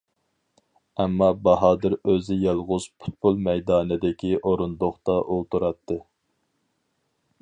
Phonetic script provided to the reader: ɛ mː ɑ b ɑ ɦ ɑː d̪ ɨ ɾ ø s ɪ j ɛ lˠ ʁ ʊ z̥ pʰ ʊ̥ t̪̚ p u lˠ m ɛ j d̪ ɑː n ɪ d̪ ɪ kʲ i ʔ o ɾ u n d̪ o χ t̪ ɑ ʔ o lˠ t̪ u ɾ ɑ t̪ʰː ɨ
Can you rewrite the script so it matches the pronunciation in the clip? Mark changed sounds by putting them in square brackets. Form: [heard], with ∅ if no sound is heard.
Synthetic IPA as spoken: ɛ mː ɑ b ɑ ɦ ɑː d̪ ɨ ɾ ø [z] ɪ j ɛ lˠ ʁ ʊ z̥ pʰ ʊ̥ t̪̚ p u lˠ m ɛ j d̪ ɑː n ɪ d̪ ɪ kʲ i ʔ o ɾ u n d̪ o χ t̪ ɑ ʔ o lˠ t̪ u ɾ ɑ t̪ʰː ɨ

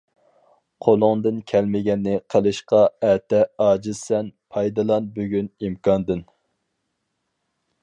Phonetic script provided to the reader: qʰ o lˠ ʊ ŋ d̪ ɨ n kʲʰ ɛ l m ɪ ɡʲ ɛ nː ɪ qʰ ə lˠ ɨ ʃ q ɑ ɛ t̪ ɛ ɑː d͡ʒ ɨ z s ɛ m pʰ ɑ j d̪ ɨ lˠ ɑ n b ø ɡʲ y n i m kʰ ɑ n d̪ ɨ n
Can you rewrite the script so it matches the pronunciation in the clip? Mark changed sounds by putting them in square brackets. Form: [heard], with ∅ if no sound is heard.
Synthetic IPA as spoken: qʰ o lˠ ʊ ŋ d̪ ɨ n kʲʰ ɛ l m ɪ ɡʲ ɛ nː ɪ qʰ ə lˠ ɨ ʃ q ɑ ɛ t̪ ɛ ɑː d͡ʒ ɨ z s ɛ [n] pʰ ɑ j d̪ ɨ lˠ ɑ n b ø ɡʲ y n i m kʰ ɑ n d̪ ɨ n

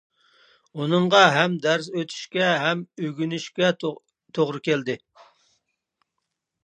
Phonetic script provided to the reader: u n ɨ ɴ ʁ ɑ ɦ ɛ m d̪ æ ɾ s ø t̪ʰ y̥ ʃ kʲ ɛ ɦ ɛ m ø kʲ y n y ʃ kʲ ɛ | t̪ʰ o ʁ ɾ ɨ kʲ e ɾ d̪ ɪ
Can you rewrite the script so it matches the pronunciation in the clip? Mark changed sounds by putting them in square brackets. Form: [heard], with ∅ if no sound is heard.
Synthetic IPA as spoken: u n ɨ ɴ ʁ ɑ ɦ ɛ m d̪ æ ɾ s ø t̪ʰ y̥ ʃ kʲ ɛ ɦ ɛ m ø [ɡʲ] y n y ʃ kʲ ɛ | t̪ʰ o ʁ ɾ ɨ kʲ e [l] d̪ ɪ

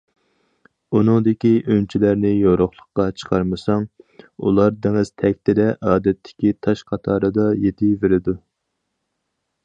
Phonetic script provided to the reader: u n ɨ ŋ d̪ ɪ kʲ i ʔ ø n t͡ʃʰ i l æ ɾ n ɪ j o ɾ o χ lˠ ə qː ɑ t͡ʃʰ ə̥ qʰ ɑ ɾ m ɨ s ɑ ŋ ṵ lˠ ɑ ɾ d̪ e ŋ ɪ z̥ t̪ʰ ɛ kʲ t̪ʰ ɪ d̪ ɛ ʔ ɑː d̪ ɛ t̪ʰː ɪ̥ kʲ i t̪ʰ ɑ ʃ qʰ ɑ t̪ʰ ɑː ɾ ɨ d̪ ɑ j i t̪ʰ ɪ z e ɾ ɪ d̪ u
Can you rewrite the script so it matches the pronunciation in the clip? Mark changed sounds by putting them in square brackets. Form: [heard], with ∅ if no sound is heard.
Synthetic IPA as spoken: u n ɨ ŋ d̪ ɪ kʲ i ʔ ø n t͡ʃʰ i l æ ɾ n ɪ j o ɾ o χ lˠ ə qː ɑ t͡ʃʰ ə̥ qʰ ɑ ɾ m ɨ s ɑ ŋ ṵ lˠ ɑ ɾ d̪ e ŋ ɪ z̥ t̪ʰ ɛ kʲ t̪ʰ ɪ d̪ ɛ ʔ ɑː d̪ ɛ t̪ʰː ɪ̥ kʲ i t̪ʰ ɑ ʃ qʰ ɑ t̪ʰ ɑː ɾ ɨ d̪ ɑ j [e] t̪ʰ ɪ [v] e ɾ ɪ d̪ u

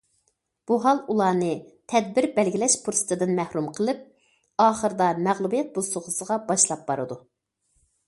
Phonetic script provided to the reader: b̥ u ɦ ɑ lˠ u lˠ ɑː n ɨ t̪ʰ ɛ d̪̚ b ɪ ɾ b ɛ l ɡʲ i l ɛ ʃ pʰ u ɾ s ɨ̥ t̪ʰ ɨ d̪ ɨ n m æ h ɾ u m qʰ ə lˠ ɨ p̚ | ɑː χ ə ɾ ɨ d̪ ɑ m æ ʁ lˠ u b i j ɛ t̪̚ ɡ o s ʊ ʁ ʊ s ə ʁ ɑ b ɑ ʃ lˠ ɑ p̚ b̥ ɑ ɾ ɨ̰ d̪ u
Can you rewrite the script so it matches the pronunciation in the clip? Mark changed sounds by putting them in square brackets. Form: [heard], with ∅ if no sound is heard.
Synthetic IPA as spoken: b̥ u ɦ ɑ lˠ u lˠ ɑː n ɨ t̪ʰ ɛ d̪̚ b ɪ ɾ b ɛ l ɡʲ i l ɛ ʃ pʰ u ɾ s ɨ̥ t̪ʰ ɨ d̪ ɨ n m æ h ɾ u m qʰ ə lˠ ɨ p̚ | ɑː χ ə ɾ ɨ d̪ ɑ m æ ʁ lˠ u b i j ɛ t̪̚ [b] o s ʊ ʁ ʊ s ə ʁ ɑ b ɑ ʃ lˠ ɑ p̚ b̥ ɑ ɾ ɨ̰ d̪ u

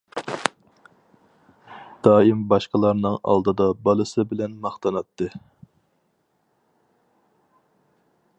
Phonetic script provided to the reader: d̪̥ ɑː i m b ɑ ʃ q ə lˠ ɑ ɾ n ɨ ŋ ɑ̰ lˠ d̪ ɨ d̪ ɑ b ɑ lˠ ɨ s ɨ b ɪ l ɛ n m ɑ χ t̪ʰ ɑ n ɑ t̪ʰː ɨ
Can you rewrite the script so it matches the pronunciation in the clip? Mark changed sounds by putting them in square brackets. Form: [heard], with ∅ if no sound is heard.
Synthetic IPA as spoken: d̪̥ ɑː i m b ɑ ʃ q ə lˠ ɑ ɾ n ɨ ŋ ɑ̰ lˠ d̪ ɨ d̪ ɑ b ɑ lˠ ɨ s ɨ b ɪ l ɛ n m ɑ χ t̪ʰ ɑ n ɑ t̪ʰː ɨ

